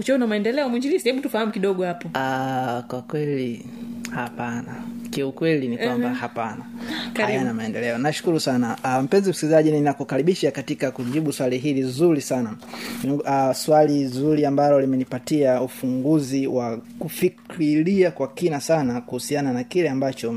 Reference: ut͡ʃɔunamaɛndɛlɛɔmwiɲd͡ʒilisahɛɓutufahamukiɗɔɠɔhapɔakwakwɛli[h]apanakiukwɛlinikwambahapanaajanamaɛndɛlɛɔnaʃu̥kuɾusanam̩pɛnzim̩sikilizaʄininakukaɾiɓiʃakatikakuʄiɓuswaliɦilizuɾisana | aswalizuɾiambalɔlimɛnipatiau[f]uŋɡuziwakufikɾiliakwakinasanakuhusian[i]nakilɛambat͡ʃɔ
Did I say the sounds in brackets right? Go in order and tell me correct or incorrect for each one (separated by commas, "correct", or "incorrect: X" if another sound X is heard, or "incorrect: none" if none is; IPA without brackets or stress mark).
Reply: correct, correct, incorrect: a